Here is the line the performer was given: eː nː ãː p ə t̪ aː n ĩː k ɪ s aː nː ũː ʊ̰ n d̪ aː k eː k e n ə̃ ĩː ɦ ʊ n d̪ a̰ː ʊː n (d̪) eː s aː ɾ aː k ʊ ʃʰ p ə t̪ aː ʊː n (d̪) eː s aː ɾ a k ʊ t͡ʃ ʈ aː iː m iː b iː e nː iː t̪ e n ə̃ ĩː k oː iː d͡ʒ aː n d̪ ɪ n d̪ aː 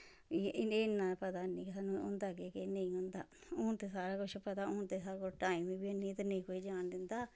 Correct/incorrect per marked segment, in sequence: incorrect: t̪, incorrect: t̪

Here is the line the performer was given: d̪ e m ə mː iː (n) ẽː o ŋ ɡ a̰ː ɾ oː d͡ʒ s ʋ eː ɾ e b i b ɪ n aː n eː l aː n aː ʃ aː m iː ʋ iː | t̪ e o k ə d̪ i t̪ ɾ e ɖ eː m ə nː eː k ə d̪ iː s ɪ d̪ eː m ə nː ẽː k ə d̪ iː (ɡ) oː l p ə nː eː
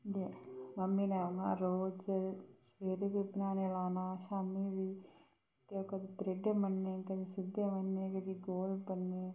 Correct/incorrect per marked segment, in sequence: correct, correct

